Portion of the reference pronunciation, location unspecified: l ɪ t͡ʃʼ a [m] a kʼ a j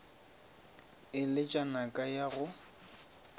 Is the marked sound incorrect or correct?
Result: incorrect